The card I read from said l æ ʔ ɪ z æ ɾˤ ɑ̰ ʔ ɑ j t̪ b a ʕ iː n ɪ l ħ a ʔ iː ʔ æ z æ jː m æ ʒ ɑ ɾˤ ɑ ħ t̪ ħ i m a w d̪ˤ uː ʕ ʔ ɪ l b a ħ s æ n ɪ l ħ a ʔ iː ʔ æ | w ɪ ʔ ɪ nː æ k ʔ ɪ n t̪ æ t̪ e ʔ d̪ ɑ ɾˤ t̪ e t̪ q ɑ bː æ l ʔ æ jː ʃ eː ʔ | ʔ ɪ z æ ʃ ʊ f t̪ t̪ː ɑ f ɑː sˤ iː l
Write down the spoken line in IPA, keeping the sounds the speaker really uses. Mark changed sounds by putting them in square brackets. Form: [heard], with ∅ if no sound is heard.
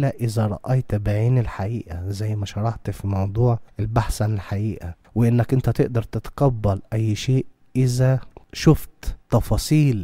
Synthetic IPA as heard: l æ ʔ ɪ z æ ɾˤ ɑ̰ ʔ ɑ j t̪ b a ʕ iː n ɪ l ħ a ʔ iː ʔ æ z æ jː m æ [ʃ] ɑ ɾˤ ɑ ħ t̪ [f] i m [ɑ] w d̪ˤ uː ʕ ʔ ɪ l b a ħ s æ n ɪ l ħ a ʔ iː ʔ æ | w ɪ ʔ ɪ nː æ k ʔ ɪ n t̪ æ t̪ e ʔ d̪ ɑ ɾˤ t̪ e t̪ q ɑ bː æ l ʔ æ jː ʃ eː ʔ | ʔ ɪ z æ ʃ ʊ f t̪ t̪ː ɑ f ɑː sˤ iː l

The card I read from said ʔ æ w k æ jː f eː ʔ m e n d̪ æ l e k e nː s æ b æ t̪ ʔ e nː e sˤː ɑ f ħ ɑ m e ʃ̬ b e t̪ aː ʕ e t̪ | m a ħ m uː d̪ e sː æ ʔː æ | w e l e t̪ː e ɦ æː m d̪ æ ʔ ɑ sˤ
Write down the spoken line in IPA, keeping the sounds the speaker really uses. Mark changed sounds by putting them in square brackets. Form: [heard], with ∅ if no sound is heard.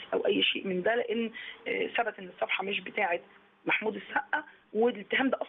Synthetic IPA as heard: ʔ æ w [ʔ] æ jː [ʃ] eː ʔ m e n d̪ æ l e [ʔ] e nː s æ b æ t̪ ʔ e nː e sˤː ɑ f ħ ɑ m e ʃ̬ b e t̪ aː ʕ e t̪ | m a ħ m uː d̪ e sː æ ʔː æ | w e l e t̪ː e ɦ æː m d̪ æ ʔ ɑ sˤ

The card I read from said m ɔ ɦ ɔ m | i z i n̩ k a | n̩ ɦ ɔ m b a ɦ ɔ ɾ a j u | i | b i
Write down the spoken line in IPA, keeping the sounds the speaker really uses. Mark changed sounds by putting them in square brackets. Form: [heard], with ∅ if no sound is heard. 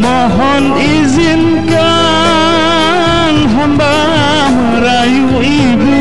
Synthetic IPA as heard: m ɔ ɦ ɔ [n] | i z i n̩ k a | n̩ ɦ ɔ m b a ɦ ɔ ɾ a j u | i | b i

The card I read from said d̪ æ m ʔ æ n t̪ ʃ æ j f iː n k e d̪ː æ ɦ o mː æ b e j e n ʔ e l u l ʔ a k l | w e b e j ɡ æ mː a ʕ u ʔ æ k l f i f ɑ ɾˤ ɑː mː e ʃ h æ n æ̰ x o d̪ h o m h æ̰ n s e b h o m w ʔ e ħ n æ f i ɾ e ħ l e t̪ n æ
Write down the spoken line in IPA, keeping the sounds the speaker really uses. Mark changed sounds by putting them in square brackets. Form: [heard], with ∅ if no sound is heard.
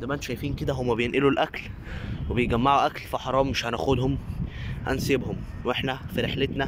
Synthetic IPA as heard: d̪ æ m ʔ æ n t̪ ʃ æ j f iː n k e [d̪] æ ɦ o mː æ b e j e n ʔ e l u l ʔ [æ] k l | w e b e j ɡ æ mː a ʕ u ʔ æ k l f i [ħ] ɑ ɾˤ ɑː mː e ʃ h æ n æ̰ x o d̪ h o m h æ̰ n s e b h o m w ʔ e ħ n æ f i ɾ e ħ l e t̪ n æ

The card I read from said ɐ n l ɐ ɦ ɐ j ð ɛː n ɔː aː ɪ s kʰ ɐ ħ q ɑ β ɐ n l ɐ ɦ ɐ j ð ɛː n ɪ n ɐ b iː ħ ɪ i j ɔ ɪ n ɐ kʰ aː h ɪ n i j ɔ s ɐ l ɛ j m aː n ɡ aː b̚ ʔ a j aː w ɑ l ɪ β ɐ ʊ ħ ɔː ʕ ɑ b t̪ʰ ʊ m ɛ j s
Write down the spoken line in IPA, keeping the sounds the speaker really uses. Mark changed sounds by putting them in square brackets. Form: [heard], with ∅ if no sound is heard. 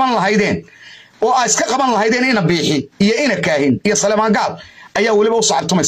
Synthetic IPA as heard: ɐ n l ɐ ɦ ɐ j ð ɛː n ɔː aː ɪ s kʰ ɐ [∅] q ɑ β ɐ n l ɐ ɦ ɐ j ð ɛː n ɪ n ɐ b iː ħ ɪ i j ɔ ɪ n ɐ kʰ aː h ɪ n i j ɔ s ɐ l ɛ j m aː [ŋ] ɡ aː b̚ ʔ [ɐ] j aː w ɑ l ɪ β ɐ ʊ [s] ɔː ʕ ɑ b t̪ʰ ʊ m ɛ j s

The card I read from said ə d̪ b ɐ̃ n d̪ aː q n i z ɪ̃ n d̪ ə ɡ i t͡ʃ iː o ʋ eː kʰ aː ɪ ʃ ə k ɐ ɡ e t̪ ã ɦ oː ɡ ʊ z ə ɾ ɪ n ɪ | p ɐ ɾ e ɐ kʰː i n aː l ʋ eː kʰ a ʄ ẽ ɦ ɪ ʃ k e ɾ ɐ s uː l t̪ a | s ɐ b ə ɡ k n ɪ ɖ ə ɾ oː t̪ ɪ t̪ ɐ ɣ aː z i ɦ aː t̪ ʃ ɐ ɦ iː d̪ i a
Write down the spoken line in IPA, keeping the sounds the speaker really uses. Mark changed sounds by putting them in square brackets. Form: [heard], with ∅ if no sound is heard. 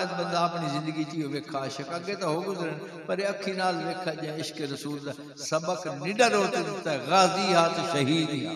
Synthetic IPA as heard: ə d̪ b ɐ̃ n d̪ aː [p] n i z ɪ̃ n d̪ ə ɡ i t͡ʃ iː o ʋ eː kʰ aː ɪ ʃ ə k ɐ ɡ e t̪ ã ɦ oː ɡ ʊ z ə ɾ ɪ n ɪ | p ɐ ɾ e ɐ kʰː i n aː l ʋ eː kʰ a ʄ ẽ [∅] ɪ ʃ k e ɾ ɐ s uː l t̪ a | s ɐ b ə [∅] k n ɪ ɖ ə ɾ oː t̪ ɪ t̪ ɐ ɣ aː z i ɦ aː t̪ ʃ ɐ ɦ iː d̪ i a

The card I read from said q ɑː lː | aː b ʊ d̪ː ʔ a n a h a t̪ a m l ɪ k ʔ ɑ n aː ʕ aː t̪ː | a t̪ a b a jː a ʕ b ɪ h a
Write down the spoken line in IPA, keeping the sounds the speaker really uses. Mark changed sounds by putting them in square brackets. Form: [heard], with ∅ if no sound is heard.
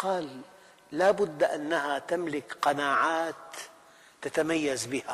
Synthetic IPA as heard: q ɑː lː | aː b ʊ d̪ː ʔ a [nː] a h a t̪ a m l ɪ k [q] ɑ n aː ʕ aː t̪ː | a t̪ a [m] a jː a [z] b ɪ h a

